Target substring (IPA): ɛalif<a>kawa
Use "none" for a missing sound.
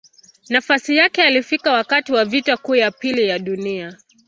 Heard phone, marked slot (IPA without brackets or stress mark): i